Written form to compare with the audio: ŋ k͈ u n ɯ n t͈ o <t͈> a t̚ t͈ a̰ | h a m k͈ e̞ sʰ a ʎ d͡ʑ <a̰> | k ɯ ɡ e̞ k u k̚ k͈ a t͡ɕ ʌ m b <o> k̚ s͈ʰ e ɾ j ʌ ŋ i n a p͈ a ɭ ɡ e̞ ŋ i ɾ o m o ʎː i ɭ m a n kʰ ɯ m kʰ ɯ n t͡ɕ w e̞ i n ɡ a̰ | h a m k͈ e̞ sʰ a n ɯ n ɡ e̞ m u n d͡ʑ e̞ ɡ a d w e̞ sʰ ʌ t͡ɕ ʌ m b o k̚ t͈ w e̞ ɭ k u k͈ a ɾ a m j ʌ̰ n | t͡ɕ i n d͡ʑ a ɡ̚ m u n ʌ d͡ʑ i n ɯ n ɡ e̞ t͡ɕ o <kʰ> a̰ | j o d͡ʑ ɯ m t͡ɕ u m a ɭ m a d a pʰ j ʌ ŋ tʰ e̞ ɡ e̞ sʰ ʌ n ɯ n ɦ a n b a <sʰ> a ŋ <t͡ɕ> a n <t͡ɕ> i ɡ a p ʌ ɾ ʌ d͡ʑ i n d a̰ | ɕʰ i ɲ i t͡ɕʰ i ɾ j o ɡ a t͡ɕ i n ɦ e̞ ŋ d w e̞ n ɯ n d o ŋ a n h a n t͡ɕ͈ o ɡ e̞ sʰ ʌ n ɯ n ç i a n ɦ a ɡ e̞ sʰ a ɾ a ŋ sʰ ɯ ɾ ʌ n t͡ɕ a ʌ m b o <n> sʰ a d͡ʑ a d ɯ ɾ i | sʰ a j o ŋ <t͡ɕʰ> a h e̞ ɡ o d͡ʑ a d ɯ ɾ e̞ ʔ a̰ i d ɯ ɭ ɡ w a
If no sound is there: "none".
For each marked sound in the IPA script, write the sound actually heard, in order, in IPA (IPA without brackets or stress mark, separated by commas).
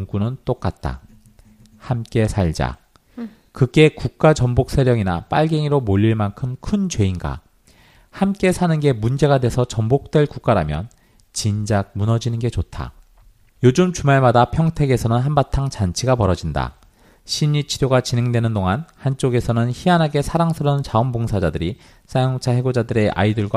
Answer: k͈, a̰, o, tʰ, tʰ, t͡ɕ, t͡ɕʰ, ŋ, t͡ɕʰ